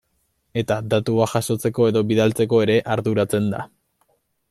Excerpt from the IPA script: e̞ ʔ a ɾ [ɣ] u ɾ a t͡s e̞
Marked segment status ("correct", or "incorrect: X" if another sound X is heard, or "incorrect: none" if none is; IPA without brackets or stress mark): incorrect: ð